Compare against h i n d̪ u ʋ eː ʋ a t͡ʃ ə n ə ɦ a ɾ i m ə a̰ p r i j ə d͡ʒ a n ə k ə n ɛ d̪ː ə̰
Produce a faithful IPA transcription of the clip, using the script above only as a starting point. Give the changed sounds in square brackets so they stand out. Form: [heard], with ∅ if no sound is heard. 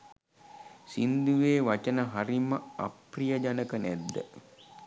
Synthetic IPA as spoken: [s] i n d̪ u ʋ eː ʋ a t͡ʃ ə n ə ɦ a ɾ i m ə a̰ p r i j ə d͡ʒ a n ə k ə n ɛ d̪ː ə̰